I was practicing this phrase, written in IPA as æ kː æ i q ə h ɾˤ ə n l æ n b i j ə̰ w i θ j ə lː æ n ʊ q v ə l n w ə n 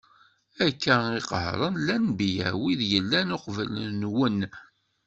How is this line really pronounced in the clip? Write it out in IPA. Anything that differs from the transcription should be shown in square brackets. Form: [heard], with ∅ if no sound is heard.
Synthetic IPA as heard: æ kː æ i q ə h ɾˤ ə n l æ n b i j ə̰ w i [ð] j ə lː æ n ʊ q v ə l n w ə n